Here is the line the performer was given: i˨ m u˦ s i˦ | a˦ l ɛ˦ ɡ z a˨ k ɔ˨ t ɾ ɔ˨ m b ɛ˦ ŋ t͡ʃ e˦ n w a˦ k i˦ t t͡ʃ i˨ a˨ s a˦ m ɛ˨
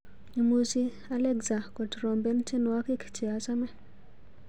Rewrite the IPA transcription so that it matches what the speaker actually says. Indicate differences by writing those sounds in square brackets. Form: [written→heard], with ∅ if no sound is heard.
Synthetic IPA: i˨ m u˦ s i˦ | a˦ l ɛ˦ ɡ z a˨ k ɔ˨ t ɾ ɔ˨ m b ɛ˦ [ŋ→n] t͡ʃ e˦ n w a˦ k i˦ [t→k] t͡ʃ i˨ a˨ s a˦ m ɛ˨